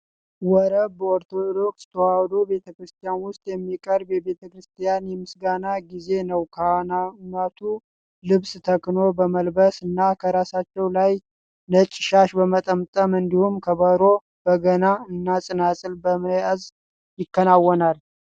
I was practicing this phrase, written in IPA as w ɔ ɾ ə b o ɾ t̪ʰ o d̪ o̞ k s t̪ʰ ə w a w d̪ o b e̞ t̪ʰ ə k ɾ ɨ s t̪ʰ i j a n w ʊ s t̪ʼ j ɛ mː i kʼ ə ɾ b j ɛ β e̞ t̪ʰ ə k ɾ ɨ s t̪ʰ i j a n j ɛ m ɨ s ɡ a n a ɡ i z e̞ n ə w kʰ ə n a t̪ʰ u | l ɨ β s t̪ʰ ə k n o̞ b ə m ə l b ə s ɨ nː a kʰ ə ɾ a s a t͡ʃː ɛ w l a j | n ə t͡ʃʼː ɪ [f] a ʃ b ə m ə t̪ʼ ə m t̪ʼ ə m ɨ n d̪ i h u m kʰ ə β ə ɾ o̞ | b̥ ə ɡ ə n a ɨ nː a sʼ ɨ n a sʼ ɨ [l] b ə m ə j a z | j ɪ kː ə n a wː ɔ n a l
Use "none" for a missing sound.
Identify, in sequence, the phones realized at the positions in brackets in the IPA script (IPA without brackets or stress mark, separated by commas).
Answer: ʃ, l